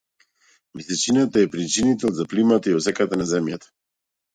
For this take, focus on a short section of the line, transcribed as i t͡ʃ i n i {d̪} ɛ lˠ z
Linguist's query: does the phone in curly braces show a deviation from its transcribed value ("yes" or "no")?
yes